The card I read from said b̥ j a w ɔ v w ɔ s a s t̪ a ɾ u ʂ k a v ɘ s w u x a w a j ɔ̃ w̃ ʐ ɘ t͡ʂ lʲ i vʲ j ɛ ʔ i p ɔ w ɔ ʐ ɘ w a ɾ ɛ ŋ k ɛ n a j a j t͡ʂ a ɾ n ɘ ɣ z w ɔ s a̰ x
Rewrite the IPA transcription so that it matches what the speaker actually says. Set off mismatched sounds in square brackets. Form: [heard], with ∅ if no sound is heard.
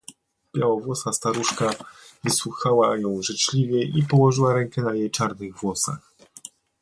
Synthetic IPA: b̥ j a w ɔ v w ɔ s a s t̪ a ɾ u ʂ k a v ɘ s w u x a w a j ɔ̃ w̃ ʐ ɘ t͡ʂ lʲ i vʲ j ɛ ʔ i p ɔ w ɔ ʐ ɘ w a ɾ ɛ ŋ k ɛ n a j [e] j t͡ʂ a ɾ n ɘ ɣ [v] w ɔ s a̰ x